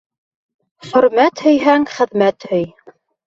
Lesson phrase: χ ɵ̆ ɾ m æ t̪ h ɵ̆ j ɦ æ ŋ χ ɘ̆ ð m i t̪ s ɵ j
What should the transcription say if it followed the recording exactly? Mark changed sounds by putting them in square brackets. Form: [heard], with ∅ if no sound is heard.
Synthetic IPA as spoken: χ ɵ̆ ɾ m æ t̪ h ɵ̆ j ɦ æ ŋ χ ɘ̆ ð m [æ] t̪ [h] ɵ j